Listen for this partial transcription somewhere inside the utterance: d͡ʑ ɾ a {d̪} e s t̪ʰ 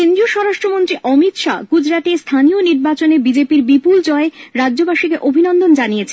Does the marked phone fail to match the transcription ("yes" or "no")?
yes